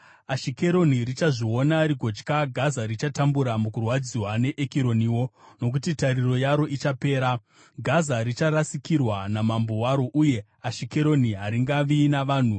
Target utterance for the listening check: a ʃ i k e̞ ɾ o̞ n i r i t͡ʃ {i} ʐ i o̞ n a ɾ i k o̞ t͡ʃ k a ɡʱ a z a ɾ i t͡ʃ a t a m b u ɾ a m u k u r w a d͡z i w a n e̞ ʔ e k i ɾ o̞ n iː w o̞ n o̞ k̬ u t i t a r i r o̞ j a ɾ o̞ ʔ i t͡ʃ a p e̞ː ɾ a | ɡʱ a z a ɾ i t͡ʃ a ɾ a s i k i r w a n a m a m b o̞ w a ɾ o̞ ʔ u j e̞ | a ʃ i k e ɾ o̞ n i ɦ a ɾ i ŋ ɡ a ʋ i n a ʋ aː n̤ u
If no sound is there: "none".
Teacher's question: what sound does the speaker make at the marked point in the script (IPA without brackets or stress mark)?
a